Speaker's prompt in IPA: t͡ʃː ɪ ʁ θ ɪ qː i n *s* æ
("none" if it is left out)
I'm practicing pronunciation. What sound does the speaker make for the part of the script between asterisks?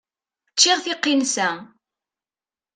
s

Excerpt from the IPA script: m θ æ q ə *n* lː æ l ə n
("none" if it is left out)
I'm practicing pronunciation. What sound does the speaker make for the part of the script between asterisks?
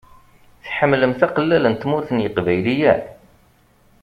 none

